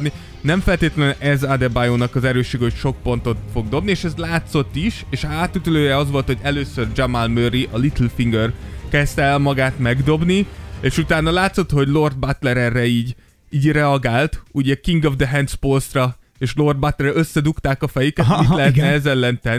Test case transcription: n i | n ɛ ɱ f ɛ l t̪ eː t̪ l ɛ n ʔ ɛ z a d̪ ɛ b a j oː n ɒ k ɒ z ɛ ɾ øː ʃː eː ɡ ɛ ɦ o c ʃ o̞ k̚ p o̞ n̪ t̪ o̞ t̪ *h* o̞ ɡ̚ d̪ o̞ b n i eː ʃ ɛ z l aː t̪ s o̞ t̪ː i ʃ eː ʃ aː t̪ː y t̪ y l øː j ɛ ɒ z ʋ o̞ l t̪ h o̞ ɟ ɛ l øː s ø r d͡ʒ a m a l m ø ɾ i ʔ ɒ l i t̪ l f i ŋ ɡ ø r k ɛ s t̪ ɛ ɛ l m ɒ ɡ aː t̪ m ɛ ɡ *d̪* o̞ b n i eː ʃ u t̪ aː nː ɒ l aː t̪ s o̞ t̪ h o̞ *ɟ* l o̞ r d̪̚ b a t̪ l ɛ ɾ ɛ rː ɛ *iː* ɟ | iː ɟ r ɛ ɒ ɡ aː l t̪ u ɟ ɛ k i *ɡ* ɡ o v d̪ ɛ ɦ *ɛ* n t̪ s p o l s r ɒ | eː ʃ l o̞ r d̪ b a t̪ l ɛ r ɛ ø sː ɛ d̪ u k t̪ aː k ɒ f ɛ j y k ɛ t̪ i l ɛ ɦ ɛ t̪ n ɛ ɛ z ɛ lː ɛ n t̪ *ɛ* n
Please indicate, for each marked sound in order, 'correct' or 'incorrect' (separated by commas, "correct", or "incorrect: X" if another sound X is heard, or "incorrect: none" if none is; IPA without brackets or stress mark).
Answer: incorrect: f, correct, correct, correct, incorrect: ŋ, correct, correct